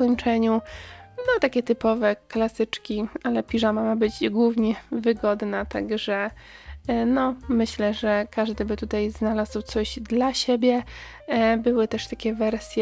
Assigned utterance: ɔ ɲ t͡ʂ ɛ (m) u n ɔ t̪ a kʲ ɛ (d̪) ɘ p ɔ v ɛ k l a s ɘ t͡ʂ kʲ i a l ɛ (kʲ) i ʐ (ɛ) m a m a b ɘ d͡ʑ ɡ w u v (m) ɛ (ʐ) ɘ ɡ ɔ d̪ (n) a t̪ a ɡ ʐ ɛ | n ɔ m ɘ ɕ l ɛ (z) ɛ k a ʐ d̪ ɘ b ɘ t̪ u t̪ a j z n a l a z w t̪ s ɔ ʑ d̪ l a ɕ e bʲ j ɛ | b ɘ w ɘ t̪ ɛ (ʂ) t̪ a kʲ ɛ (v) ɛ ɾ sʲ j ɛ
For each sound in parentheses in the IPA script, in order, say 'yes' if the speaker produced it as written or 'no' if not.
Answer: no, no, no, no, no, no, yes, no, yes, yes

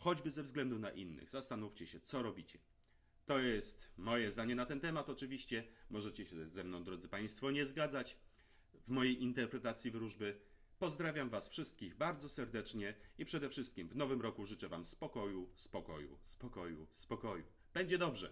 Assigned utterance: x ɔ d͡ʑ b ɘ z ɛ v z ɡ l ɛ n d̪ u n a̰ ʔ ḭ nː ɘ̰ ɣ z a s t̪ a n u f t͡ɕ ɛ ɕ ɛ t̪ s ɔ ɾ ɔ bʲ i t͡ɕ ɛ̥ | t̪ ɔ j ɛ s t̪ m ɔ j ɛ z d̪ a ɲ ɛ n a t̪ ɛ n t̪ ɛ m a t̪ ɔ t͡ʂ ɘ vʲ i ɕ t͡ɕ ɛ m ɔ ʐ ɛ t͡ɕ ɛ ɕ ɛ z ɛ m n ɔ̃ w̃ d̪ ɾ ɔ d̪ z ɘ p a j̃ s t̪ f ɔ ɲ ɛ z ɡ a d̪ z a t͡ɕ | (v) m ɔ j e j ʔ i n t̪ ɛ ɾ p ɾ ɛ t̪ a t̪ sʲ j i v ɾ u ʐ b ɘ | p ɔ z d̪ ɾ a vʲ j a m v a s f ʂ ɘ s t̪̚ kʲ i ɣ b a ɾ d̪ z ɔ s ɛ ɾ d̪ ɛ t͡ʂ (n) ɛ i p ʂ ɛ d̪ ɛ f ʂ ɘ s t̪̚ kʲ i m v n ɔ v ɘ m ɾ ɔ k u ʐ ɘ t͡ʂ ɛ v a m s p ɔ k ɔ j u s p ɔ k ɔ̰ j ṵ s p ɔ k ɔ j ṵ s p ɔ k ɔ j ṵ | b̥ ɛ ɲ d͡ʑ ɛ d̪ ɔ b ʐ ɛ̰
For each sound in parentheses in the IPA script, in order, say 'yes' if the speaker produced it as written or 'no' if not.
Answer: yes, no

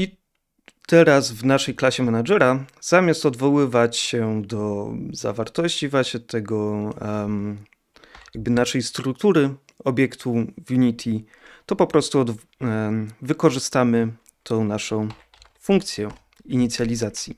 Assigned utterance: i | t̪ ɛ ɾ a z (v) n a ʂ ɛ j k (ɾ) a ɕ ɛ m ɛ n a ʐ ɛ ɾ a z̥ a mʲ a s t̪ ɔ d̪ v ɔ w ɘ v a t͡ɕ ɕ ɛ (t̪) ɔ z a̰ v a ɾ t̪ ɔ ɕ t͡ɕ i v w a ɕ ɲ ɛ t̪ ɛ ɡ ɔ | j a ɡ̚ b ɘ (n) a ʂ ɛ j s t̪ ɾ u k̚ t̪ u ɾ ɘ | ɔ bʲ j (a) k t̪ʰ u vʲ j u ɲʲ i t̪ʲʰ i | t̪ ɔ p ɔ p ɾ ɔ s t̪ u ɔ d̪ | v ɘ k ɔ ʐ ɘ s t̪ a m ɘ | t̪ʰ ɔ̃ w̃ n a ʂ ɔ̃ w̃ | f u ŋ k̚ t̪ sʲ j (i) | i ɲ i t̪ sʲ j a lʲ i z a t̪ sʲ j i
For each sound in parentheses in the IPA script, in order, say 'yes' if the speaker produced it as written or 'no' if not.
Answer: yes, no, no, yes, no, no

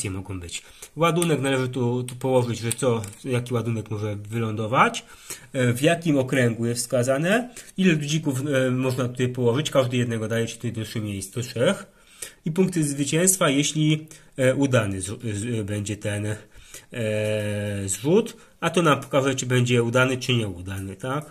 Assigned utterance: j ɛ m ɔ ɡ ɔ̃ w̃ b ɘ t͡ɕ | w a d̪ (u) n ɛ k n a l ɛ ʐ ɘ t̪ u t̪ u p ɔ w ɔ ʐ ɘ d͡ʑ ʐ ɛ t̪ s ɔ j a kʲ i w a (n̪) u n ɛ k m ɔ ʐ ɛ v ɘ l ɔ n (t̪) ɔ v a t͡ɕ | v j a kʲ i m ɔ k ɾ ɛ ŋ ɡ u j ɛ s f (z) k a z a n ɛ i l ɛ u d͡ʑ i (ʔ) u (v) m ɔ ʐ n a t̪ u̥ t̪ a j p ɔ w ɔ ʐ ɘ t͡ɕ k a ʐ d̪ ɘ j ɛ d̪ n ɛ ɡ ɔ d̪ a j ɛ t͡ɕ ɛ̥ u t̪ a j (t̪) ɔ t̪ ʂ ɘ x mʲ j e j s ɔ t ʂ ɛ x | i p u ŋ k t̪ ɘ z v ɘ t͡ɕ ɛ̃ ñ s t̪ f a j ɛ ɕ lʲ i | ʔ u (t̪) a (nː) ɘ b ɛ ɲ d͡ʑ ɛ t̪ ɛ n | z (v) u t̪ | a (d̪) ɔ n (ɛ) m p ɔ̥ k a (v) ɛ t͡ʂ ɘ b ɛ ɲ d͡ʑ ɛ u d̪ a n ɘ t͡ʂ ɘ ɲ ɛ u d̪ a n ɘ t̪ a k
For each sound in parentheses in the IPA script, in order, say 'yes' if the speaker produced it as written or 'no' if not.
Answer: yes, no, no, no, no, no, no, no, no, no, no, no, no

